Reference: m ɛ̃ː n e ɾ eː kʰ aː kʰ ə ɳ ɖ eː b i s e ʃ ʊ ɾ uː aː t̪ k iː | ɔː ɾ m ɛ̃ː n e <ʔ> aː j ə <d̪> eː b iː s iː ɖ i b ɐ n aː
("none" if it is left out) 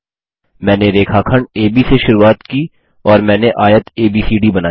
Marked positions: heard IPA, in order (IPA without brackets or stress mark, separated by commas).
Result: ʔ, t̪